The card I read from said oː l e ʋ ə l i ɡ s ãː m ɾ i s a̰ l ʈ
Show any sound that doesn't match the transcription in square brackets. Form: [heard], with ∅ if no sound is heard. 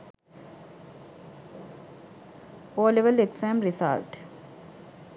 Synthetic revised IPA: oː l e ʋ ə l [e] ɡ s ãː m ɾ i s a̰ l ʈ